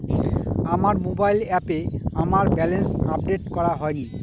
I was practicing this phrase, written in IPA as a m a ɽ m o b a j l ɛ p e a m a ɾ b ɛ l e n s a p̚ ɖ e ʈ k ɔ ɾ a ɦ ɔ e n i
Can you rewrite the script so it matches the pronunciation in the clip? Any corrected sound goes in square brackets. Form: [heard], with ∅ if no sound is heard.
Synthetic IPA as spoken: a m a [ɾ] m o b a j l ɛ p e a m a ɾ b ɛ l e n s a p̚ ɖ e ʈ k ɔ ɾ a ɦ ɔ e n i